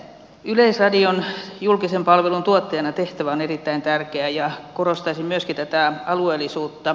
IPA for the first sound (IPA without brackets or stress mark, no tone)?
y